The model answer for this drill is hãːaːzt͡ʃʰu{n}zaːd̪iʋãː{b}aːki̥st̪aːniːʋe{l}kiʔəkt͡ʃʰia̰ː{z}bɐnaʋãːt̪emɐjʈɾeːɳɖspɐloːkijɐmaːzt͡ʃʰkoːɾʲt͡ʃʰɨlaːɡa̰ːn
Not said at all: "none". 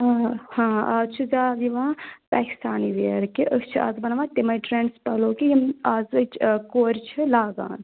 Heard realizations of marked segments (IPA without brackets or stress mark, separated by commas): none, p, ɾ, z